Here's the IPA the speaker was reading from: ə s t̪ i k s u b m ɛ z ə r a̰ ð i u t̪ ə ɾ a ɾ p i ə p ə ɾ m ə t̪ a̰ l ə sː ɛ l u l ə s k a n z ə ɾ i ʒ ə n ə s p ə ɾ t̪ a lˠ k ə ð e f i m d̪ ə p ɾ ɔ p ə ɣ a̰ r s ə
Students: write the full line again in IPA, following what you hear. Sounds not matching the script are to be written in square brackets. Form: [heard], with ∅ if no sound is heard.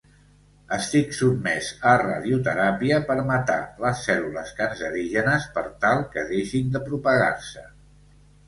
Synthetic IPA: ə s t̪ i k s u b m ɛ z ə r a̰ ð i u t̪ ə ɾ a [∅] p i ə p ə ɾ m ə t̪ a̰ l ə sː ɛ l u l ə s k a n z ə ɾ i ʒ ə n ə s p ə ɾ t̪ a lˠ k ə ð e [ʃ] i [n] d̪ ə p ɾ [u] p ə ɣ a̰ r s ə